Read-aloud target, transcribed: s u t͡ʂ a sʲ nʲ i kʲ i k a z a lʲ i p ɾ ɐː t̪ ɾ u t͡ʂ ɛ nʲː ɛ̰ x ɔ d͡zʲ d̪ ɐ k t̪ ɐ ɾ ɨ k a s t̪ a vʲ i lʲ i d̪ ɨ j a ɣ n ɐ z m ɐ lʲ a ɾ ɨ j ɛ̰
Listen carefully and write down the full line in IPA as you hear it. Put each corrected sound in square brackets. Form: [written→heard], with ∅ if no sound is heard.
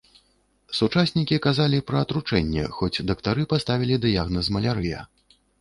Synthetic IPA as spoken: s u t͡ʂ a sʲ nʲ i kʲ i k a z a lʲ i p ɾ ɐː t̪ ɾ u t͡ʂ ɛ nʲː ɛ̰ x ɔ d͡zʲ d̪ ɐ k t̪ [ɐ→a] ɾ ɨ [k→p] a s t̪ a vʲ i lʲ i d̪ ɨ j a ɣ n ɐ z m ɐ lʲ a ɾ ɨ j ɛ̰